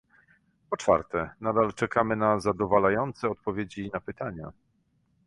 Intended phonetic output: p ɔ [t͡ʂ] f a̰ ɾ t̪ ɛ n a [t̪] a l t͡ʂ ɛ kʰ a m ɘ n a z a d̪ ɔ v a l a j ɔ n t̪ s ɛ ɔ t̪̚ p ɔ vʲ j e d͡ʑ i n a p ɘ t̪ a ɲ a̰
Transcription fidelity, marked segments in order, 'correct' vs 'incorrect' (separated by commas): correct, incorrect